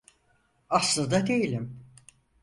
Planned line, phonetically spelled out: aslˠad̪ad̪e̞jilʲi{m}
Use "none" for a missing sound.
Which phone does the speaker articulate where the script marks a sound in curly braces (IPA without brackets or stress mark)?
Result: m